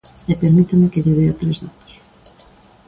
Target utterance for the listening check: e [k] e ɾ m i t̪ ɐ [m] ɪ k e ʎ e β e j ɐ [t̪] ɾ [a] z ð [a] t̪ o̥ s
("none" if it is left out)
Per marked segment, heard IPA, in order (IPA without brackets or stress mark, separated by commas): p, m, t̪, e, a